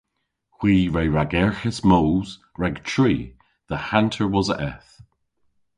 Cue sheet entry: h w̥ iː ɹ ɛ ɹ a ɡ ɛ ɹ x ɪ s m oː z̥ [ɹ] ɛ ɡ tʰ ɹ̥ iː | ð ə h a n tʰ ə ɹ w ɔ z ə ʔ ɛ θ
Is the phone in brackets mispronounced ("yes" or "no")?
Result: no